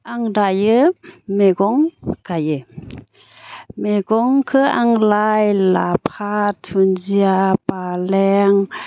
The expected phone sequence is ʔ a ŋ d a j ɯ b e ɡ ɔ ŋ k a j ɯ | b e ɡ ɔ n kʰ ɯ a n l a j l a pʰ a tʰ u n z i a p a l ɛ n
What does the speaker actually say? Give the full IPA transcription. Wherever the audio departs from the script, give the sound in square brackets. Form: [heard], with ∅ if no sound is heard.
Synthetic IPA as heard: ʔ a ŋ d a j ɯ [m] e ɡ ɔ ŋ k a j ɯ | [m] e ɡ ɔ [ŋ] kʰ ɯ a [ŋ] l a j l a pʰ a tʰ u n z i a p a l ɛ [ŋ]

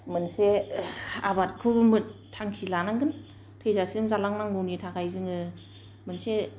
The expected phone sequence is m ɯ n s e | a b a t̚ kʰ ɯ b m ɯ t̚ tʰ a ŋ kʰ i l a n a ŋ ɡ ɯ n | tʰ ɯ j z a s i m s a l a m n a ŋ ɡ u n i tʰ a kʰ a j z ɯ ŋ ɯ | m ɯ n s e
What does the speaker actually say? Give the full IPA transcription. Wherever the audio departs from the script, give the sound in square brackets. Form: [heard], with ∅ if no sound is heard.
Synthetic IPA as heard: m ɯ n s e | a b a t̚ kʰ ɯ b m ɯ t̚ tʰ a ŋ kʰ i l a n a ŋ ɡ ɯ n | tʰ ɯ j z a s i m [z] a l a [ŋ] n a ŋ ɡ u n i tʰ a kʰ a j z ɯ ŋ ɯ | m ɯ n s e

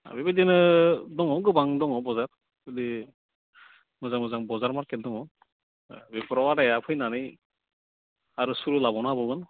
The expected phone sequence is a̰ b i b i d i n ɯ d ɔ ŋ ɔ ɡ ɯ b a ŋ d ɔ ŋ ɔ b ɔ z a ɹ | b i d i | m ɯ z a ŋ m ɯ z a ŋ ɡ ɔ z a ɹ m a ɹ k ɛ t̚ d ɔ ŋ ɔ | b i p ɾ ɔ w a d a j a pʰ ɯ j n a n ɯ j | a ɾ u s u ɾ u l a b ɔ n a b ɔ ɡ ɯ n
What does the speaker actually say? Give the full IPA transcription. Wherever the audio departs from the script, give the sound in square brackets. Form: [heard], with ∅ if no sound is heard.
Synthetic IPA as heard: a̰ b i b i d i n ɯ d ɔ ŋ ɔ ɡ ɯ b a ŋ d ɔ ŋ ɔ b ɔ z a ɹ | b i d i | m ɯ z a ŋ m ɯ z a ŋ [b] ɔ z a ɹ m a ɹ k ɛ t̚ d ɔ ŋ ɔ | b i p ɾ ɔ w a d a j a pʰ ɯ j n a n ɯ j | a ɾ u s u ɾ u l a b ɔ n a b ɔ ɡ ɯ n

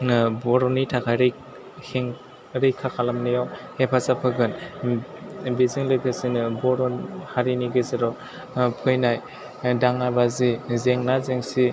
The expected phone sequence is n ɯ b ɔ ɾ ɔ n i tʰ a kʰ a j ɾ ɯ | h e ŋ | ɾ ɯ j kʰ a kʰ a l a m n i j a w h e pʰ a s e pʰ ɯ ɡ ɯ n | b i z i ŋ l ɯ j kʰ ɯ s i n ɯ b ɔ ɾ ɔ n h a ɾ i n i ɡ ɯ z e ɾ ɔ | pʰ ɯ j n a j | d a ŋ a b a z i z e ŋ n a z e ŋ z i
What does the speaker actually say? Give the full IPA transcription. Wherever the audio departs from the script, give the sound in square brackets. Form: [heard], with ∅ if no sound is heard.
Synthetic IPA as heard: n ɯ b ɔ ɾ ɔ n i tʰ a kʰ a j ɾ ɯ | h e ŋ | ɾ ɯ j kʰ a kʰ a l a m n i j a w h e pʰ a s [a] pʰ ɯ ɡ ɯ n | b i z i ŋ l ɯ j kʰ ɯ s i n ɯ b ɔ ɾ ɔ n h a ɾ i n i ɡ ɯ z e ɾ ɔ | pʰ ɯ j n a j | d a ŋ a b a z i z e ŋ n a z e ŋ [s] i

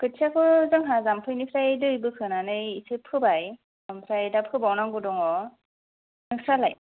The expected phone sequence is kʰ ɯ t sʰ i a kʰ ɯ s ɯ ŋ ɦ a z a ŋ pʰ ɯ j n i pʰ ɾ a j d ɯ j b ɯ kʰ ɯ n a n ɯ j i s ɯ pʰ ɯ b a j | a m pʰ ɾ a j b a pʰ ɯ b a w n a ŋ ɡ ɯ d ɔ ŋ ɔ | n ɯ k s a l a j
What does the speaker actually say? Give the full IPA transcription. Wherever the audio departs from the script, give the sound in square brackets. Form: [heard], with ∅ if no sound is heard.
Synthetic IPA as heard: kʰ ɯ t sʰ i a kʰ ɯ [z] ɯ ŋ ɦ a z a [m] pʰ ɯ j n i pʰ ɾ a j d ɯ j b ɯ kʰ ɯ n a n ɯ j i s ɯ pʰ ɯ b a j | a m pʰ ɾ a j [d] a pʰ ɯ b a w n a ŋ ɡ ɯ d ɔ ŋ ɔ | n ɯ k s a l a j

